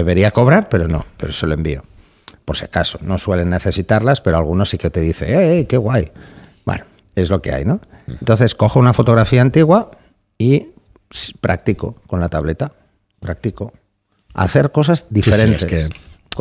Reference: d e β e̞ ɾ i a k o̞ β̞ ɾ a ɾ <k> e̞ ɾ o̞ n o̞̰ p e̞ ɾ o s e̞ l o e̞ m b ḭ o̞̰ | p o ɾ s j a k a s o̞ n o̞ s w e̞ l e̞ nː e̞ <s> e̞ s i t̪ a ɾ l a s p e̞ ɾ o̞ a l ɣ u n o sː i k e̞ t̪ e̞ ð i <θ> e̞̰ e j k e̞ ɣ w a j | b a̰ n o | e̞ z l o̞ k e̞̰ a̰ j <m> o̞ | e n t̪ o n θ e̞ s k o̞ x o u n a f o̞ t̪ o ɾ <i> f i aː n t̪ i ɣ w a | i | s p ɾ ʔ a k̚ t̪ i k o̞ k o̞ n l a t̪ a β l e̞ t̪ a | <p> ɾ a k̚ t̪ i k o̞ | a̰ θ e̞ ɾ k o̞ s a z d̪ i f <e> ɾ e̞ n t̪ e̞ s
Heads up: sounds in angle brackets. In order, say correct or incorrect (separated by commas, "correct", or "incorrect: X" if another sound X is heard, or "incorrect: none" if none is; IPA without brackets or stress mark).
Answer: incorrect: p, incorrect: θ, correct, incorrect: n, incorrect: a, correct, correct